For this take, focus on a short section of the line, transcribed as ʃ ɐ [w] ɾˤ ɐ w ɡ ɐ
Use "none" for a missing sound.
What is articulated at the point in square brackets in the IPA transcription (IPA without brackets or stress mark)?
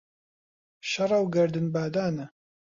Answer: none